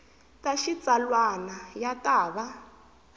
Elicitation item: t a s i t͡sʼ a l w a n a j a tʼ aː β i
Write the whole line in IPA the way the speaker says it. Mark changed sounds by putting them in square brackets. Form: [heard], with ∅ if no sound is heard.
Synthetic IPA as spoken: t a [ʃ] i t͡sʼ a l w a n a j a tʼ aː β [a]